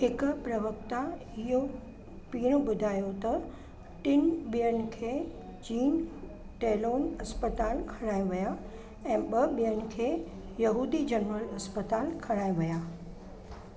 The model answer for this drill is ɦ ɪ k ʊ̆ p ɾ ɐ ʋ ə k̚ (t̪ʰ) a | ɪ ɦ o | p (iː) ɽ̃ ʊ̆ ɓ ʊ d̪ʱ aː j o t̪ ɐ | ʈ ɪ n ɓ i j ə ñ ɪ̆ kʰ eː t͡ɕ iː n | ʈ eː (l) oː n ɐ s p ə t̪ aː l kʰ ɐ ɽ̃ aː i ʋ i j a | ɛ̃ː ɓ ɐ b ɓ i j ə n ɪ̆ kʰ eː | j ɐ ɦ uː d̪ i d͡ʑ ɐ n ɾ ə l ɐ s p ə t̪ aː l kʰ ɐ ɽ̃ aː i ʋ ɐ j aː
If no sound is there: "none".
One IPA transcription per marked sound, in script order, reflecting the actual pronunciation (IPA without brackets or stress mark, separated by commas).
t̪, iː, l